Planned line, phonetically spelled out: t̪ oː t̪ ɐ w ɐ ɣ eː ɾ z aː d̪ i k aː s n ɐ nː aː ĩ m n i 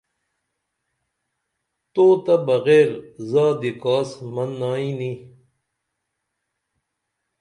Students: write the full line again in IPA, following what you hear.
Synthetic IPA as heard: t̪ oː t̪ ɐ b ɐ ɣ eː ɾ z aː d̪ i k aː s m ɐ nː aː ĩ n i